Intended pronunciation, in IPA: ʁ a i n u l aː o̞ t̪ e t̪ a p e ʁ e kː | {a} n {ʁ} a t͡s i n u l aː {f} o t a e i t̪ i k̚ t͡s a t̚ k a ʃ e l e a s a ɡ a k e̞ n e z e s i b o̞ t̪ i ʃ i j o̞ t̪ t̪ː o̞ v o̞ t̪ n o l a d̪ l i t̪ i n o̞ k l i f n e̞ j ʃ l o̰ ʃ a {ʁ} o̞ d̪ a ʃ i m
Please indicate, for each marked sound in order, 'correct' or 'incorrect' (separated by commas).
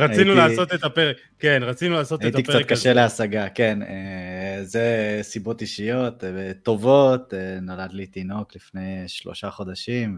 incorrect, correct, incorrect, incorrect